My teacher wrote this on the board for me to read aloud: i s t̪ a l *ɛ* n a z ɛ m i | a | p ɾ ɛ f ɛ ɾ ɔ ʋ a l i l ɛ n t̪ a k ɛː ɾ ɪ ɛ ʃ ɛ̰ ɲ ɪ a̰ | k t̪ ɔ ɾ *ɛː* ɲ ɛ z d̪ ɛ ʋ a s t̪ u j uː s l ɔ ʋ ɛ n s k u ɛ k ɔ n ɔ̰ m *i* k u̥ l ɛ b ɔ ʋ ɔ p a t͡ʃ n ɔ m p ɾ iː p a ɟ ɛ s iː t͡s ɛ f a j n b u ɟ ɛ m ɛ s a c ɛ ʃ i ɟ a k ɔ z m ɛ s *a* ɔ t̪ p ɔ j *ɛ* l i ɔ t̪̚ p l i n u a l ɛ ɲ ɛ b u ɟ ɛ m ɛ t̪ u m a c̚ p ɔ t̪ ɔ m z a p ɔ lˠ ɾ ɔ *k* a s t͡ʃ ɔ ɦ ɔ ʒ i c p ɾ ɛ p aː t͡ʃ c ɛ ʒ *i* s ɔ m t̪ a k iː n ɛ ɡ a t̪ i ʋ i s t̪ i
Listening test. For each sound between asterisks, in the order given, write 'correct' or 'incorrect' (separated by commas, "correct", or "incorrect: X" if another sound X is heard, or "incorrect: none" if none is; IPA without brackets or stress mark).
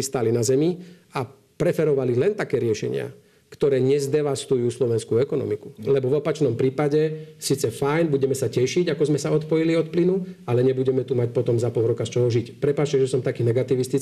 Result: incorrect: i, correct, correct, correct, incorrect: i, correct, incorrect: ɛ